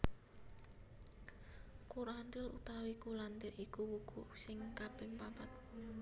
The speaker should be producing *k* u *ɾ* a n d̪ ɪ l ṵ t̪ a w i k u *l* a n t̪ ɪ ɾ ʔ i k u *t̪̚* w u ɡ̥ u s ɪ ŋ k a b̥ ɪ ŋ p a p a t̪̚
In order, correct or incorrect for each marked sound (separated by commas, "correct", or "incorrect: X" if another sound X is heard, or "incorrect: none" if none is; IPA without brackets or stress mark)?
correct, correct, correct, incorrect: none